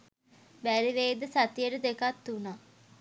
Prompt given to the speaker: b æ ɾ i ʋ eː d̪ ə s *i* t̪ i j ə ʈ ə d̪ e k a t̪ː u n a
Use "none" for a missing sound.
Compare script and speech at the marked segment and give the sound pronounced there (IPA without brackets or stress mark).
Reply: a